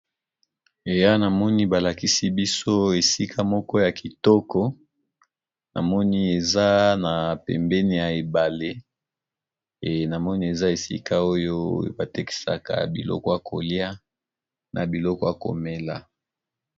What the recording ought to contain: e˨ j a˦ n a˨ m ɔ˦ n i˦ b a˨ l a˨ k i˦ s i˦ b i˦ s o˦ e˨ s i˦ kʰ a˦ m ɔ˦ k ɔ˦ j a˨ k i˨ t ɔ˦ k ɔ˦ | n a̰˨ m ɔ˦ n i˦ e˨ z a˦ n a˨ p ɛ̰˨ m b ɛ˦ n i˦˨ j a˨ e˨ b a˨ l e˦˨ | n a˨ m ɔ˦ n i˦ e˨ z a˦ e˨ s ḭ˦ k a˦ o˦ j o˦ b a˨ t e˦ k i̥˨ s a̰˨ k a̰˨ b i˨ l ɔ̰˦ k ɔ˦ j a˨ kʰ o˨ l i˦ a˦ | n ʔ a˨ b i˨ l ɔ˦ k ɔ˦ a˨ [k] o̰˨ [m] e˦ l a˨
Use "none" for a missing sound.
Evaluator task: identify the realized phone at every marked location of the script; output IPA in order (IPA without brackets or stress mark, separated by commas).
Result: k, m